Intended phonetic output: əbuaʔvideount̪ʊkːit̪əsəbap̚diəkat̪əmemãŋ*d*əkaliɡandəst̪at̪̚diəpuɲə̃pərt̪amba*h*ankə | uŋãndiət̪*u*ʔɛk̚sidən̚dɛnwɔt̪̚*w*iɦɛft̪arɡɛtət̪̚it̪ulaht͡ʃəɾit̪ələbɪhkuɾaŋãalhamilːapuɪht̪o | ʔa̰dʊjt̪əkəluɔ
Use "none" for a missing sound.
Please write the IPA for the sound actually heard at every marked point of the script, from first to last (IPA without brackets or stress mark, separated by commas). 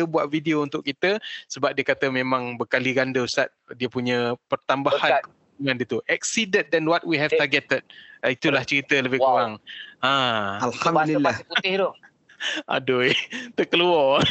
b, h, u, w